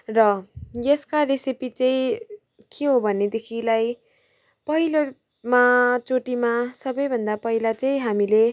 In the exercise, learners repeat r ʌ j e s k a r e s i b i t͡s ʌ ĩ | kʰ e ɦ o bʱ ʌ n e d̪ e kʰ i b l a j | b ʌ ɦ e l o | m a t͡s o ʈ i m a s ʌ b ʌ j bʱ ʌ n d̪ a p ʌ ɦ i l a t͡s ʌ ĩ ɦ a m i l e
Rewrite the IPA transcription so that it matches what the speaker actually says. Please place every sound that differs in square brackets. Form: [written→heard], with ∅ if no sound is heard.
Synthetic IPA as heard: r ʌ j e s k a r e s i [b→p] i t͡s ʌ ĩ | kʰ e ɦ o bʱ ʌ n e d̪ e kʰ i [b→∅] l a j | [b→p] ʌ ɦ [e→i] l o | m a t͡s o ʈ i m a s ʌ b ʌ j bʱ ʌ n d̪ a p ʌ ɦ i l a t͡s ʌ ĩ ɦ a m i l e